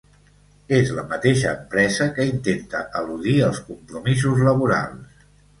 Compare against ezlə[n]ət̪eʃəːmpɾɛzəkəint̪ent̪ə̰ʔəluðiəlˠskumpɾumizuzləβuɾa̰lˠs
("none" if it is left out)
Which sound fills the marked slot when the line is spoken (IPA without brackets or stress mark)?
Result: m